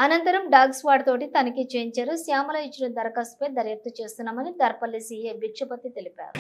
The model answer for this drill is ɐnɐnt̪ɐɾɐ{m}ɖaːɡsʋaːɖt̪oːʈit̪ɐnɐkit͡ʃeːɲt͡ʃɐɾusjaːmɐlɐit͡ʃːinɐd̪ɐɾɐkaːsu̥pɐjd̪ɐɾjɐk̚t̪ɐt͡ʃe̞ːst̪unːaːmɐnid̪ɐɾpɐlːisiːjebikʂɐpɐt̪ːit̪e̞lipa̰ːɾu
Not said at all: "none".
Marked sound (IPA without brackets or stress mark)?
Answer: m